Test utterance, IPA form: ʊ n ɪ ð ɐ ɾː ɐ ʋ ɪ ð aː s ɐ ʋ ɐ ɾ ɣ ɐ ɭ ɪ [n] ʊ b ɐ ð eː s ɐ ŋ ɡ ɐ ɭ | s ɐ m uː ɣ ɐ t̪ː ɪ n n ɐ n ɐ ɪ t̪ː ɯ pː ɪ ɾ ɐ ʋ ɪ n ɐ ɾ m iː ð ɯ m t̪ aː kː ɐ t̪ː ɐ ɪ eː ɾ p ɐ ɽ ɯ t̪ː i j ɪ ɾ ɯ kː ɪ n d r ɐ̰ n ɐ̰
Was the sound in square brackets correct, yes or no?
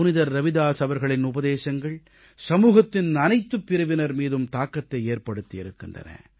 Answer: yes